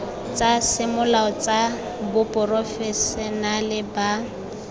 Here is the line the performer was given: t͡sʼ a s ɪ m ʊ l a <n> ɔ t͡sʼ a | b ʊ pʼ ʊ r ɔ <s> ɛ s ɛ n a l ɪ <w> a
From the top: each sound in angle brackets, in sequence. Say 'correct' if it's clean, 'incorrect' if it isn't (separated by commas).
incorrect, incorrect, incorrect